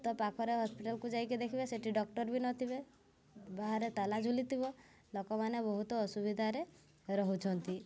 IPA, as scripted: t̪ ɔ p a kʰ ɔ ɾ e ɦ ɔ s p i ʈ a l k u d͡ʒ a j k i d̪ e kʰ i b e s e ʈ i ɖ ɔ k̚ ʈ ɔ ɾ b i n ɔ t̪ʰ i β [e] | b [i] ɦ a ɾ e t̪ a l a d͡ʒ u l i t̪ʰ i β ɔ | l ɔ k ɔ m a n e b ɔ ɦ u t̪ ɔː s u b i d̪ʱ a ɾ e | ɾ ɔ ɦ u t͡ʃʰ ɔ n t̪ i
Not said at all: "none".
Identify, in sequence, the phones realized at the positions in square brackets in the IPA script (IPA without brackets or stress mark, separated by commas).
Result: e, a